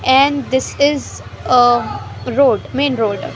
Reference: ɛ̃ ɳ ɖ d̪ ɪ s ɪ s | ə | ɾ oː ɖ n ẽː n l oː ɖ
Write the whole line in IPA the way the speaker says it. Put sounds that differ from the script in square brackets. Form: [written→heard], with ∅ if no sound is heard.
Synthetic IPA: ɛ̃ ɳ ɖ d̪ ɪ s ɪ [s→z] | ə | ɾ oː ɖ [n→m] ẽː n [l→ɾ] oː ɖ

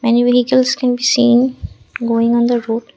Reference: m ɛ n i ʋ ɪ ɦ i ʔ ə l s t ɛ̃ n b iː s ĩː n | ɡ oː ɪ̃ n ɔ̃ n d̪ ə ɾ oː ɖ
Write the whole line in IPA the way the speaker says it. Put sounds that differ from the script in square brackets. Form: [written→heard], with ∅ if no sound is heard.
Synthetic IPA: m ɛ n i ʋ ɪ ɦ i [ʔ→k] ə l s [t→k] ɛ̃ n b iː s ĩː n | ɡ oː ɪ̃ [n→ŋ] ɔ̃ n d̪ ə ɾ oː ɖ

